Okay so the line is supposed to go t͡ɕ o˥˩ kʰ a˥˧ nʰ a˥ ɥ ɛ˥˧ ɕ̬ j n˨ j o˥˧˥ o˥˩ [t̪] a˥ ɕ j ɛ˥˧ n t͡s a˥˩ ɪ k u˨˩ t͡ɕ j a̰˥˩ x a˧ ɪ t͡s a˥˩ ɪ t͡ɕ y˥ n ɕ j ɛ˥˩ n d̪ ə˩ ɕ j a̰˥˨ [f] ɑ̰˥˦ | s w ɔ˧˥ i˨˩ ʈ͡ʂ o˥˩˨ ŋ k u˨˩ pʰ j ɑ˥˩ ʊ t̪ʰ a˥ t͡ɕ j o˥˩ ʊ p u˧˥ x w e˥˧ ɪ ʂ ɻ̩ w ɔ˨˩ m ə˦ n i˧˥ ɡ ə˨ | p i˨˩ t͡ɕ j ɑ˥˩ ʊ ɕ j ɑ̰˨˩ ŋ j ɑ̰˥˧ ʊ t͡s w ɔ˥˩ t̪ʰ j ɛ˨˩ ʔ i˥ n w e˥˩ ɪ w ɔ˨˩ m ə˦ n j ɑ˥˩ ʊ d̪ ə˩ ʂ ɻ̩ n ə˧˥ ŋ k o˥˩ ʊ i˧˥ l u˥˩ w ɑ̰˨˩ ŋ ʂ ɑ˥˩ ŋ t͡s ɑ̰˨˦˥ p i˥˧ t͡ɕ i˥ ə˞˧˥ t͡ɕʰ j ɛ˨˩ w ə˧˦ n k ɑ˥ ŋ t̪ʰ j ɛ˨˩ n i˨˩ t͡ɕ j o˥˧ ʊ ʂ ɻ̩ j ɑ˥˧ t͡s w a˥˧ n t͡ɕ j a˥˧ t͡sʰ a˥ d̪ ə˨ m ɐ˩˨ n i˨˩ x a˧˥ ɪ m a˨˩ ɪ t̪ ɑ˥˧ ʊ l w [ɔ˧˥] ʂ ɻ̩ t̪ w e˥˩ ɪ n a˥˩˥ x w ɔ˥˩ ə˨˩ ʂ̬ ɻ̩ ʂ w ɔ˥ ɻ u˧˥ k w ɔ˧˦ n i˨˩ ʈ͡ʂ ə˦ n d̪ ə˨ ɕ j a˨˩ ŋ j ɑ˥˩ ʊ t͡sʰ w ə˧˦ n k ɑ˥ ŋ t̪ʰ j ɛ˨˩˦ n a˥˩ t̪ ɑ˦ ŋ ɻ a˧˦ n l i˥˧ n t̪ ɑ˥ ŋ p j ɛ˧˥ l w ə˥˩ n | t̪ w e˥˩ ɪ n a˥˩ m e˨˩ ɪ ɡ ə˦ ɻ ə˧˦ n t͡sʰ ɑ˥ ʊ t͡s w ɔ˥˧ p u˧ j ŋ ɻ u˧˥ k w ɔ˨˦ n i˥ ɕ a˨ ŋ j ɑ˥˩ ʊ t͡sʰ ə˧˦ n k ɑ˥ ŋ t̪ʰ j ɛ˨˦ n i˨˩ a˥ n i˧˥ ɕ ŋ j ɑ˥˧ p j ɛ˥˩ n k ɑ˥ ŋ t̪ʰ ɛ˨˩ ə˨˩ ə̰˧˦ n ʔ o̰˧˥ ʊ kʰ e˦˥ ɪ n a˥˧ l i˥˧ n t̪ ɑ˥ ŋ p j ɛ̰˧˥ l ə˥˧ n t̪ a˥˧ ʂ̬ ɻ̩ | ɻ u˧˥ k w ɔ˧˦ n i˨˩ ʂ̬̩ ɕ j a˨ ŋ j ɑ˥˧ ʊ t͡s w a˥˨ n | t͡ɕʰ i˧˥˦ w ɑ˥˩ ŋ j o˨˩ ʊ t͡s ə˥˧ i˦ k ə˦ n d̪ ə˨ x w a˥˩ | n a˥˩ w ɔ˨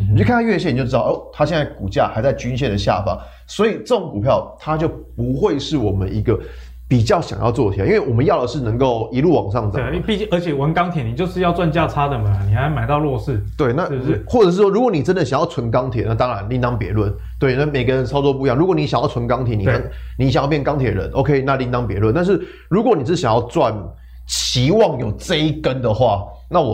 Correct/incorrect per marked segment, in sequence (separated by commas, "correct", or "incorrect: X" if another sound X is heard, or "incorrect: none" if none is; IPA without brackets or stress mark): incorrect: t̪ʰ, correct, incorrect: ɔ˥˧